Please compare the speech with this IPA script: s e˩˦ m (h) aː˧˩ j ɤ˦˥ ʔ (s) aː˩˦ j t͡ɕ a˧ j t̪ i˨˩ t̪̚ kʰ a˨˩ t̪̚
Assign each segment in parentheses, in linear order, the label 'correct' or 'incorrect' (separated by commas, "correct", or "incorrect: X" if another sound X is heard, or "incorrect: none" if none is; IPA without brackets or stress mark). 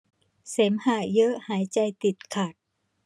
correct, incorrect: h